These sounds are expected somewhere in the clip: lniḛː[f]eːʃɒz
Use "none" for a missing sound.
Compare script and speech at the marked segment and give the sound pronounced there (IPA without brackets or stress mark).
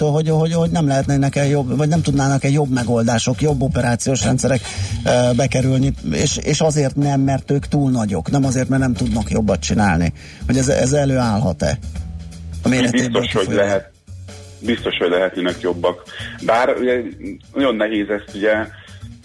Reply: ʃ